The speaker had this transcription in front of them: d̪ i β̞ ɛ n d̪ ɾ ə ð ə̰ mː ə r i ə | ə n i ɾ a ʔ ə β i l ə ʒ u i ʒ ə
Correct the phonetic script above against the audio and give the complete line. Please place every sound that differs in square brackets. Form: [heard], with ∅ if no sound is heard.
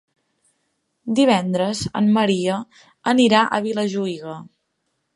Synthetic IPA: d̪ i β̞ ɛ n d̪ ɾ ə [z] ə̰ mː ə [ɾ] i ə | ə n i ɾ a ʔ ə β i l ə ʒ u i [ɣ] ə